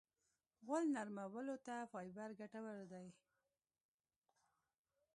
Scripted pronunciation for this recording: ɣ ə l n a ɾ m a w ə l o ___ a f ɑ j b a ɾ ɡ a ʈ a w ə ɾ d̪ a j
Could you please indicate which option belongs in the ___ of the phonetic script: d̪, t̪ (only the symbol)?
t̪